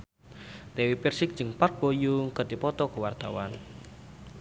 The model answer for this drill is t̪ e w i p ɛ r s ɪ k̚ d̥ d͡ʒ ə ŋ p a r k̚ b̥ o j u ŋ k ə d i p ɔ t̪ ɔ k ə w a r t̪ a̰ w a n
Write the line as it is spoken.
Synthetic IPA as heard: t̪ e w i p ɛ r s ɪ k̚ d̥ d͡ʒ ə ŋ p a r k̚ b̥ o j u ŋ k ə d i p ɔ t̪ ɔ k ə w a r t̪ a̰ w a n